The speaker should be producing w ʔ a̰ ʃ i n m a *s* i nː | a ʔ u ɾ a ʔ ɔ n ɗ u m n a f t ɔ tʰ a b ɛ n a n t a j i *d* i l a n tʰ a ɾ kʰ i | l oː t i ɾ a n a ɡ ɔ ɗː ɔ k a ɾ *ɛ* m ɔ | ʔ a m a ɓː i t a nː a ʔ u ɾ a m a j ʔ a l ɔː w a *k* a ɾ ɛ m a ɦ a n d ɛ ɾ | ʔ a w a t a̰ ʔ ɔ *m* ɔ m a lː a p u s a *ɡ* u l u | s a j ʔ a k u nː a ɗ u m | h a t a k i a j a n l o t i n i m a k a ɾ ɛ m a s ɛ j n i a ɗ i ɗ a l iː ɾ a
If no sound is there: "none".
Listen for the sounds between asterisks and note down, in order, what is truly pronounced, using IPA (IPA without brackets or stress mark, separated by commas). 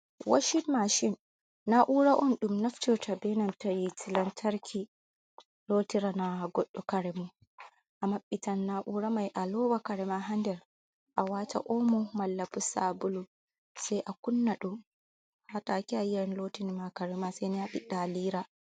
ʃ, t, ɛ, k, m, b